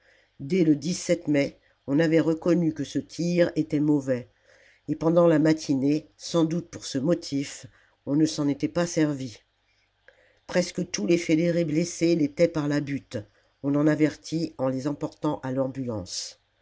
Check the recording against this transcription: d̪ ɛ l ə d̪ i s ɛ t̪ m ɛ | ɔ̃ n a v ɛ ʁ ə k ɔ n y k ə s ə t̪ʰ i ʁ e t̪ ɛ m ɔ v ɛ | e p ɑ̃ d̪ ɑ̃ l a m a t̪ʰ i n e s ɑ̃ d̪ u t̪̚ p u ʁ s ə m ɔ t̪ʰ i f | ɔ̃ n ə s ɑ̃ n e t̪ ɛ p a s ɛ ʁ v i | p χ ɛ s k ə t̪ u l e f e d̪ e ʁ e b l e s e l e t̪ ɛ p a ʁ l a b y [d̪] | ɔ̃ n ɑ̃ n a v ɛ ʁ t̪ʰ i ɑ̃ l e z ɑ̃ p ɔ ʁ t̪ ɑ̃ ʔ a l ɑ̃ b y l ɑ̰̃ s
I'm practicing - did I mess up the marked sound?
yes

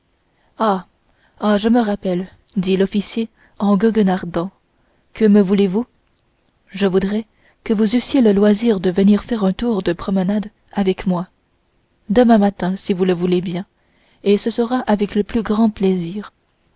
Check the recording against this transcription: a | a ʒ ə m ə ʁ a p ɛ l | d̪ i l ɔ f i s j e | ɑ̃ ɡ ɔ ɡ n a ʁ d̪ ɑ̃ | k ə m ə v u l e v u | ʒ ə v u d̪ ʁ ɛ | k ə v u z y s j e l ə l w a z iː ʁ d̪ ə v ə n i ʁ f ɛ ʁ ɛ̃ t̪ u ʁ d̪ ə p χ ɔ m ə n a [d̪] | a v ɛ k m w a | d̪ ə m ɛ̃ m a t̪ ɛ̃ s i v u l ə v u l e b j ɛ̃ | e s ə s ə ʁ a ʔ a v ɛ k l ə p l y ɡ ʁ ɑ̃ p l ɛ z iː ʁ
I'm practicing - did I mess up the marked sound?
no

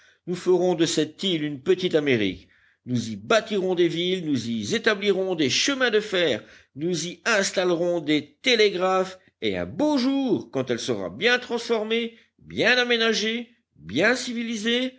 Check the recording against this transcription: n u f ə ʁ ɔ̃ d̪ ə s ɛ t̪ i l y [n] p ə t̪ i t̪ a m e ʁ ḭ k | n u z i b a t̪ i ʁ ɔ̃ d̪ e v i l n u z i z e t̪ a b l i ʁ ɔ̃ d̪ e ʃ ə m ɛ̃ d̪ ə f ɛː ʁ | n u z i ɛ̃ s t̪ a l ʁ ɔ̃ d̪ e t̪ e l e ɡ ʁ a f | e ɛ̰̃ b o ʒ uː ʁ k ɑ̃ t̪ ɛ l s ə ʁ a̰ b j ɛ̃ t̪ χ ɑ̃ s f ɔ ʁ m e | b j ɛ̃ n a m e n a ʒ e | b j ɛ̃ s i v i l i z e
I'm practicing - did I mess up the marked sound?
no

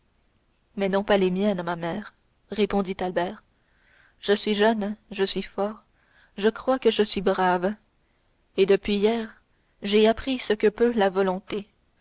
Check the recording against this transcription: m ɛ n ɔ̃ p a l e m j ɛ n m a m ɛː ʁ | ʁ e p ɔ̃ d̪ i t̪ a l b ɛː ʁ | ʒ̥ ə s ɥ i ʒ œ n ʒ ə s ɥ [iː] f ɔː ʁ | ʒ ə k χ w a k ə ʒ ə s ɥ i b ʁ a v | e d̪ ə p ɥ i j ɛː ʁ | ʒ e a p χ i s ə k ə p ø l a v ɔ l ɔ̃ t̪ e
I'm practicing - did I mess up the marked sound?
yes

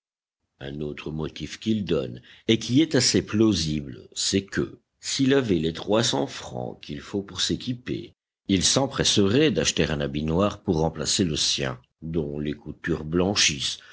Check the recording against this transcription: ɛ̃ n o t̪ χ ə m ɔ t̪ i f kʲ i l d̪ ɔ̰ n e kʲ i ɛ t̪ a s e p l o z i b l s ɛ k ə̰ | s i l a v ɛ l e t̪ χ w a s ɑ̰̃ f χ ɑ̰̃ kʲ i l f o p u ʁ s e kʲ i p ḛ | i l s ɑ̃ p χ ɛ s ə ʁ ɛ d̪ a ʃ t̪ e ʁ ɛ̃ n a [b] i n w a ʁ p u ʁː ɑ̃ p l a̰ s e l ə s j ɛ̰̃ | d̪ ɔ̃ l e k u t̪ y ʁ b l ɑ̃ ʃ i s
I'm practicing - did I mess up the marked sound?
no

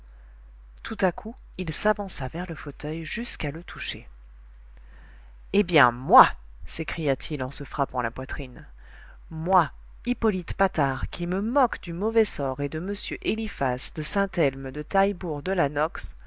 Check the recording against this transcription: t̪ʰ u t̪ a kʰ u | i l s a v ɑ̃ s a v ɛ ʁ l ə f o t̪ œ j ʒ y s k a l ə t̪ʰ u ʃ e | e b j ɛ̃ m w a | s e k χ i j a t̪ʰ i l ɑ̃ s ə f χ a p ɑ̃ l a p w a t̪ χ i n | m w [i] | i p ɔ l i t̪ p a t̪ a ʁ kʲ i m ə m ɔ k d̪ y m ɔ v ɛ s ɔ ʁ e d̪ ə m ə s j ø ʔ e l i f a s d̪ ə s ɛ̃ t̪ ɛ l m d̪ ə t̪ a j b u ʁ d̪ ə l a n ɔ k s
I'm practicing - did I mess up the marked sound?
yes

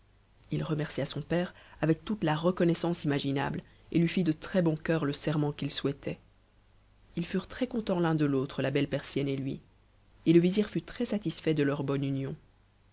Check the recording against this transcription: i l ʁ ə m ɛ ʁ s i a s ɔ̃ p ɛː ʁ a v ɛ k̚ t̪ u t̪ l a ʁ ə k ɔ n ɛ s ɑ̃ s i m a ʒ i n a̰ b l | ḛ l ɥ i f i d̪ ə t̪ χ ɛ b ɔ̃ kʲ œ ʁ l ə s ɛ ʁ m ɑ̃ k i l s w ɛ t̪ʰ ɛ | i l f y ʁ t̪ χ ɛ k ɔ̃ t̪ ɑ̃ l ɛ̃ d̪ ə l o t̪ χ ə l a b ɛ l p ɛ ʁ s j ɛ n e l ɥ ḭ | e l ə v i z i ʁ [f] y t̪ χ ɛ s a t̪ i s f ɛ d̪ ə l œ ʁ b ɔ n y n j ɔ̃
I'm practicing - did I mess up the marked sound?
no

